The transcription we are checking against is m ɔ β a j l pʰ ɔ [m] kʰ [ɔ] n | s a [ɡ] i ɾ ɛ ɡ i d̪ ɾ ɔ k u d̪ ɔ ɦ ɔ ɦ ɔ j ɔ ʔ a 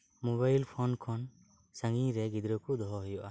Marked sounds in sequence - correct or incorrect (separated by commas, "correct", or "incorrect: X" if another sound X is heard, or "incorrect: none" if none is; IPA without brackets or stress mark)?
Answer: incorrect: n, correct, incorrect: ŋ